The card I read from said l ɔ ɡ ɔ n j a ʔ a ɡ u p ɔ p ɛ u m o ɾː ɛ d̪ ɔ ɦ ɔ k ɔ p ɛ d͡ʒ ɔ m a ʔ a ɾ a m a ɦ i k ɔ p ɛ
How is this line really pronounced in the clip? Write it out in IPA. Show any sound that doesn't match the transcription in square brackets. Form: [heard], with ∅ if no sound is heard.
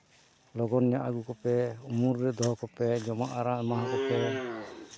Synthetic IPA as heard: l ɔ ɡ ɔ n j a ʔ a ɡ u [k] ɔ p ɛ u m [u] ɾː ɛ d̪ ɔ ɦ ɔ k ɔ p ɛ d͡ʒ ɔ m a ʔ a ɾ a m a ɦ [a] k ɔ p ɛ